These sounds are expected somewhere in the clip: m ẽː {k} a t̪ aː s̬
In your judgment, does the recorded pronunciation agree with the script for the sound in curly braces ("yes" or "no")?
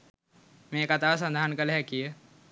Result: yes